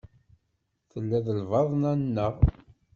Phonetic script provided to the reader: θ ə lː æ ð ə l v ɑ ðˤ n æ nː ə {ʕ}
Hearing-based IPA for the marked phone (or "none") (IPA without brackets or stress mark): ʁ